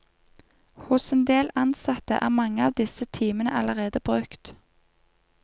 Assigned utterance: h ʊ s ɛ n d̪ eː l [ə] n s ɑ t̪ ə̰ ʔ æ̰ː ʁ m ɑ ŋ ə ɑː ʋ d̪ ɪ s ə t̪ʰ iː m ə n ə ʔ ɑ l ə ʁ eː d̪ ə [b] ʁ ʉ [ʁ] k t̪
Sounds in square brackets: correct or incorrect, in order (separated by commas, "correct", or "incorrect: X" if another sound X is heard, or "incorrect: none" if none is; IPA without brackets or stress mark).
incorrect: ɑ, correct, incorrect: none